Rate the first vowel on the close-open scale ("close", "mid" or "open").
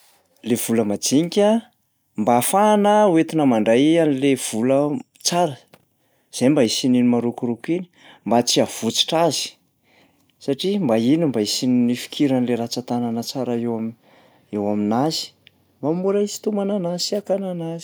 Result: mid